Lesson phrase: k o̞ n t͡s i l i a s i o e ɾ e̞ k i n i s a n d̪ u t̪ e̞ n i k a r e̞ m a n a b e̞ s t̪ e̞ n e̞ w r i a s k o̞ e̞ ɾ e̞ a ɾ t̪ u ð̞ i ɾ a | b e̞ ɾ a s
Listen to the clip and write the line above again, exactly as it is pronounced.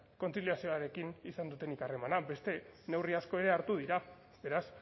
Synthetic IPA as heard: k o̞ n t͡s i l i a s i o a ɾ e̞ k i n i s a n d̪ u t̪ e̞ n i k a r e̞ m a n a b e̞ s t̪ e̞ n e̞ w r i a s k o̞ e̞ ɾ e̞ a ɾ t̪ u ð̞ i ɾ a | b e̞ ɾ a s

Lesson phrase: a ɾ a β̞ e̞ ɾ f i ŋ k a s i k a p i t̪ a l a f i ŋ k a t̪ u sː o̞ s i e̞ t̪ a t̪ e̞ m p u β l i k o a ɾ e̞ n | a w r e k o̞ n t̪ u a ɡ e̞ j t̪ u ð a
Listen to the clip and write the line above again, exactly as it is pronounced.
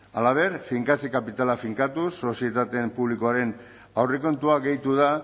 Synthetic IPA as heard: a l a β̞ e̞ ɾ f i ŋ k a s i k a p i t̪ a l a f i ŋ k a t̪ u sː o̞ s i e̞ t̪ a t̪ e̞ m p u β l i k o a ɾ e̞ n | a w r e k o̞ n t̪ u a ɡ e̞ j t̪ u ð a

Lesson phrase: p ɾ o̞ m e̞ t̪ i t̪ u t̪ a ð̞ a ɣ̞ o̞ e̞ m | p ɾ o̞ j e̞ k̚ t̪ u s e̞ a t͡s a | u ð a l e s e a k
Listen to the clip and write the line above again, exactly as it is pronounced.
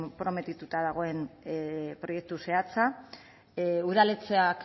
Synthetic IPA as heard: p ɾ o̞ m e̞ t̪ i t̪ u t̪ a ð̞ a ɣ̞ o̞ e̞ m | p ɾ o̞ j e̞ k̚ t̪ u s e̞ a t͡s a | u ð a l e t͡s e a k

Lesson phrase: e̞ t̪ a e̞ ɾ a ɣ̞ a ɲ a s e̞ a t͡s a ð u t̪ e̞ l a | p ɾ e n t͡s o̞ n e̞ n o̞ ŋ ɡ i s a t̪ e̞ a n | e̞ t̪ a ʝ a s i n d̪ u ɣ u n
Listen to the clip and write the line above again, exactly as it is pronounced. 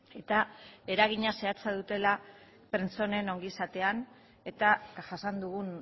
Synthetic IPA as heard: e̞ t̪ a e̞ ɾ a ɣ̞ i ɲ a s e̞ a t͡s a ð u t̪ e̞ l a | p ɾ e n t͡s o̞ n e̞ n o̞ ŋ ɡ i s a t̪ e̞ a n | e̞ t̪ a ʝ a s a n d̪ u ɣ u n

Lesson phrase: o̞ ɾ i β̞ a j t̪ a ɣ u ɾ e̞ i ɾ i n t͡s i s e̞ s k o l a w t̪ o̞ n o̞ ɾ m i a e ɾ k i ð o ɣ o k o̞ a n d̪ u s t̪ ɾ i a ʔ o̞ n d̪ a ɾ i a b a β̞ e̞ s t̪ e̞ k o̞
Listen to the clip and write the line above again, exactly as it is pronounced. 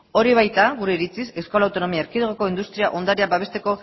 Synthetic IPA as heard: o̞ ɾ i β̞ a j t̪ a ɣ u ɾ e̞ i ɾ i t͡s i s e̞ s k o l a w t̪ o̞ n o̞ m i a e ɾ k i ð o ɣ o k o̞ i n d̪ u s t̪ ɾ i a ʔ o̞ n d̪ a ɾ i a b a β̞ e̞ s t̪ e̞ k o̞

